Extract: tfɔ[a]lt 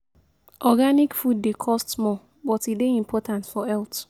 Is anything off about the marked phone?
yes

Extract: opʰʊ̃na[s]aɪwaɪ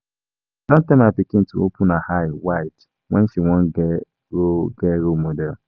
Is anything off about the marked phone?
yes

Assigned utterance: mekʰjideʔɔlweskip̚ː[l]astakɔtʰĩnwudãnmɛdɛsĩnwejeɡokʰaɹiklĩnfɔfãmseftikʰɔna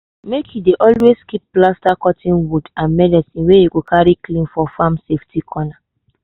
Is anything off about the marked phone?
no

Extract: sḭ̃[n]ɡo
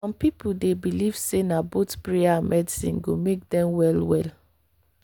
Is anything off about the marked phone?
no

